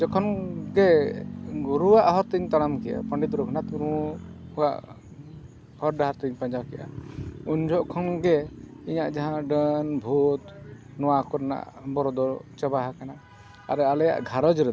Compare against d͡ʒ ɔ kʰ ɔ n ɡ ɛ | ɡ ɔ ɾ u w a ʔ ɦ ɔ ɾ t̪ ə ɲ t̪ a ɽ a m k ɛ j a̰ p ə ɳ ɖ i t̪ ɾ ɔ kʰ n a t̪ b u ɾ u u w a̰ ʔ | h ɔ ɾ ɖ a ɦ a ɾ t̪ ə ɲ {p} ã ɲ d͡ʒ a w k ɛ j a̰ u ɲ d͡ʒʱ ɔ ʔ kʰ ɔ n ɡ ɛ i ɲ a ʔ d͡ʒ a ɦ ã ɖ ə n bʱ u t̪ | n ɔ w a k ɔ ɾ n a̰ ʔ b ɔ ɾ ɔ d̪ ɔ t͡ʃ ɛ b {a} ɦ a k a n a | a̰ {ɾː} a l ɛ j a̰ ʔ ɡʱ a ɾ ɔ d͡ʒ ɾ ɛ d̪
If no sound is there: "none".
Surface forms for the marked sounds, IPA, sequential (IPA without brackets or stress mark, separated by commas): p, a, ɾ